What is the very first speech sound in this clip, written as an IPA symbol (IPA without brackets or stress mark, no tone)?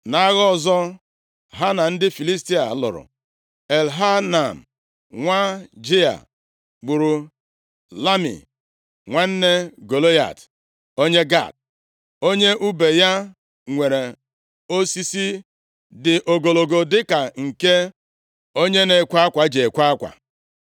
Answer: n